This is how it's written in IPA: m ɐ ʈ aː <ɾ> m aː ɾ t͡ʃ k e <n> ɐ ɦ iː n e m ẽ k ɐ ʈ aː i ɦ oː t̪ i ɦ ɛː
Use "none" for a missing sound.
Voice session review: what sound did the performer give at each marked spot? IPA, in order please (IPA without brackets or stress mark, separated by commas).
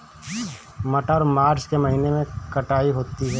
ɾ, m